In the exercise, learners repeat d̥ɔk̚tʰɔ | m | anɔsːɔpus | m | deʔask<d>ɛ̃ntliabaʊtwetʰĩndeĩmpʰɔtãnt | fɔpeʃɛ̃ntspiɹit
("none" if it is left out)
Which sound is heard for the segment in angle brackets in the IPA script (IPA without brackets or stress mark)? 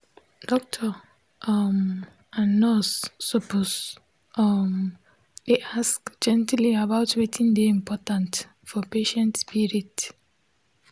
d͡ʒ